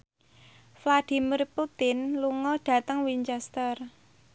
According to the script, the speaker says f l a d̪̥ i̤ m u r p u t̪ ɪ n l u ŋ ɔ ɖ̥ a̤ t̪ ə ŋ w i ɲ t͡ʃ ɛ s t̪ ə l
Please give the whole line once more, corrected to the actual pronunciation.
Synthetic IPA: f l a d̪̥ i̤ m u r p u t̪ ɪ n l u ŋ ɔ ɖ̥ a̤ t̪ ə ŋ w i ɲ t͡ʃ ɛ s t̪ ə r